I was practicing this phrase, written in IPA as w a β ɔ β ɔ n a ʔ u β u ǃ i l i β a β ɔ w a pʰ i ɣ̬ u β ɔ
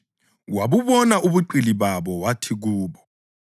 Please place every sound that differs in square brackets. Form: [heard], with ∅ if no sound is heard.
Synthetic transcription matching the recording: w a β [u] β ɔ n a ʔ u β u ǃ i l i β a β ɔ w a [tʰ] i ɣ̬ [uː] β ɔ

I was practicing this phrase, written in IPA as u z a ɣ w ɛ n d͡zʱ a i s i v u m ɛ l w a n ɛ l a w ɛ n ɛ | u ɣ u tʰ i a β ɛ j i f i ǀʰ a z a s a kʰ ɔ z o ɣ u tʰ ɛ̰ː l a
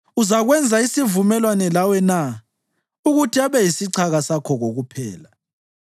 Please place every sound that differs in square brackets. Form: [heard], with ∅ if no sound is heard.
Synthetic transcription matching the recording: u z a ɣ w ɛ n d͡zʱ a i s i v u m ɛ l w a n ɛ l a w ɛ n [a] | u ɣ u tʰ i a β ɛ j i [s] i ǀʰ a [ɣ] a s a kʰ ɔ [ɣ] o ɣ u [pʰ] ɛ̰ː l a

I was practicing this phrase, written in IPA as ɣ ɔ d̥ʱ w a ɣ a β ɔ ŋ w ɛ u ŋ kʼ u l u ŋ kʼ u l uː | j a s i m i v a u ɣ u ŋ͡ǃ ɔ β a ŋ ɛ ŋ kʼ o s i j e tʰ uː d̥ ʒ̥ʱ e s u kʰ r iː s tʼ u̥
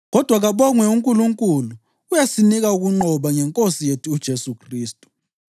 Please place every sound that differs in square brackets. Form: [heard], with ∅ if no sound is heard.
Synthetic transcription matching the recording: ɣ ɔ d̥ʱ w a ɣ a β ɔ ŋ w ɛ u ŋ kʼ u l u ŋ kʼ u l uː | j a s i [n] i [ɣ] a u ɣ u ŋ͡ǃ ɔ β a ŋ ɛ ŋ kʼ o s i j e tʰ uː d̥ ʒ̥ʱ e s u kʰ r iː s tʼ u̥

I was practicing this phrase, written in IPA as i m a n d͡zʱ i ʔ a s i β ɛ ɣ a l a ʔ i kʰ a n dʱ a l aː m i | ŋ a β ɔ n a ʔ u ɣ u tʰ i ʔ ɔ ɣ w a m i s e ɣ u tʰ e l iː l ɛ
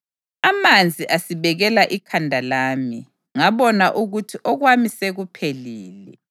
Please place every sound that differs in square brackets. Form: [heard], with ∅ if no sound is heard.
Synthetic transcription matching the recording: [a] m a n d͡zʱ i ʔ a s i β ɛ ɣ [ɛ] l a ʔ i kʰ a n dʱ a l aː m i | ŋ a β ɔ n a ʔ u ɣ u tʰ i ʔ ɔ ɣ w a m i s e ɣ u [pʰ] e l iː l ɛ

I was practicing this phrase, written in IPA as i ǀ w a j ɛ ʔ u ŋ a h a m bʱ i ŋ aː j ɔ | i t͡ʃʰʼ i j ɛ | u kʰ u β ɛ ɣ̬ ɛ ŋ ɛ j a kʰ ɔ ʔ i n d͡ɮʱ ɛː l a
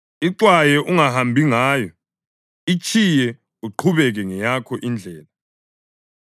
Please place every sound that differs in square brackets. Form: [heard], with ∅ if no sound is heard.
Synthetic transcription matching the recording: i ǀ w a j ɛ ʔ u ŋ a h a m bʱ i ŋ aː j ɔ | i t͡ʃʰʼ i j ɛ | u [ǃʰ] u β ɛ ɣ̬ ɛ ŋ ɛ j a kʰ ɔ ʔ i n d͡ɮʱ ɛː l a

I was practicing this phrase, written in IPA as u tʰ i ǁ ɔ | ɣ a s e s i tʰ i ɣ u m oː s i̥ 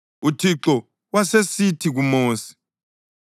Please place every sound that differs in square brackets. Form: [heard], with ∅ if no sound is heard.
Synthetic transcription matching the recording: u tʰ i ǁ ɔ | [w] a s e s i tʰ i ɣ u m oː s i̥

